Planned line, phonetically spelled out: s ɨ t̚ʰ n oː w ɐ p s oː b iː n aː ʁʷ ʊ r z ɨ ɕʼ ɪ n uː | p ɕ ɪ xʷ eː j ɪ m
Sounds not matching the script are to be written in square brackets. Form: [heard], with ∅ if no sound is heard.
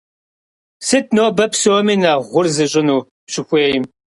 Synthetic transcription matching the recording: s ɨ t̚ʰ n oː [b] ɐ p s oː [m] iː n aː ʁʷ ʊ r z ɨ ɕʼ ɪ n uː | p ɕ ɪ xʷ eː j ɪ m